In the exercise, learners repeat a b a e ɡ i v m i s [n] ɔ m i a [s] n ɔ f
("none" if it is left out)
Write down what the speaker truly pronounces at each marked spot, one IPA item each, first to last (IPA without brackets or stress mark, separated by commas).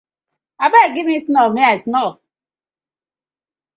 n, s